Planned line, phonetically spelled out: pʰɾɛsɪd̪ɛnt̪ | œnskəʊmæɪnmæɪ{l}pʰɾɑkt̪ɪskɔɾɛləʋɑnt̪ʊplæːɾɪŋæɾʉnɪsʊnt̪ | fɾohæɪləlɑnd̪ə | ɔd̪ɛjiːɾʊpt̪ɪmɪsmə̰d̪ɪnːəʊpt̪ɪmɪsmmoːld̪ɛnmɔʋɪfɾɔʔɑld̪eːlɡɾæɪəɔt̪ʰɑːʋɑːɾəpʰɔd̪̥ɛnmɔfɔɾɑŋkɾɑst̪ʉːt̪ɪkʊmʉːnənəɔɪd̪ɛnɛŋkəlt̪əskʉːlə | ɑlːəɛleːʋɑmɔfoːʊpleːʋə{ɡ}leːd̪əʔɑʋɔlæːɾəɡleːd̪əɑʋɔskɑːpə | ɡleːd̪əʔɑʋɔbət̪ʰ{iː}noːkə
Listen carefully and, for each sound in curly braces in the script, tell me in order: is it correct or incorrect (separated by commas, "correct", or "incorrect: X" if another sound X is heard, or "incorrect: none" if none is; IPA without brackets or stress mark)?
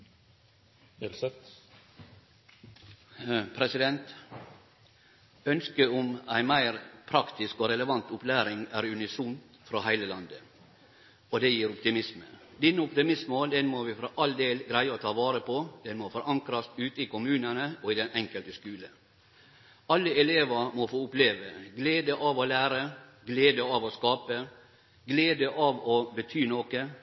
incorrect: ɾ, correct, incorrect: yː